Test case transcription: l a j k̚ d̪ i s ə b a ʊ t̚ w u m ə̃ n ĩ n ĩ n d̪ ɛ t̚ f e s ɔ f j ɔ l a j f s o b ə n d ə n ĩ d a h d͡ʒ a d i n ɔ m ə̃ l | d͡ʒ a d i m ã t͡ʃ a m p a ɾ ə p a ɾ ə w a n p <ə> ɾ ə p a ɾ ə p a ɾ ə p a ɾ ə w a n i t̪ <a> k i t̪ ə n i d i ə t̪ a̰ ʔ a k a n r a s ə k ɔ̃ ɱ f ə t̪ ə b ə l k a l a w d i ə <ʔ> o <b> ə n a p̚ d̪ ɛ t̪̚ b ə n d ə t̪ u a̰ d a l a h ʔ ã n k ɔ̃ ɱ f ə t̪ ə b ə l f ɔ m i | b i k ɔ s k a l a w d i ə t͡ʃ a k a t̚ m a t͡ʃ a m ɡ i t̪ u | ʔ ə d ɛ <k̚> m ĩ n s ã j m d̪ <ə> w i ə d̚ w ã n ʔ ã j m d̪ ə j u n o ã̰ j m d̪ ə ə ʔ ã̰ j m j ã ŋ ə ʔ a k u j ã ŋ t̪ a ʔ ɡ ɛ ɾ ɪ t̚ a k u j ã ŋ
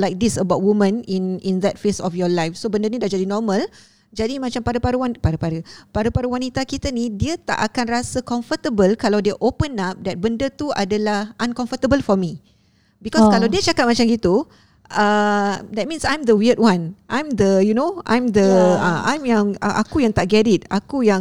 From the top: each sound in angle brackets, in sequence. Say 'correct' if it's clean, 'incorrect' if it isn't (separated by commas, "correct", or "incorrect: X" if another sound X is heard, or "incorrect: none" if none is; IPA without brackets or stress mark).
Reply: incorrect: a, correct, correct, incorrect: p, incorrect: t̚, correct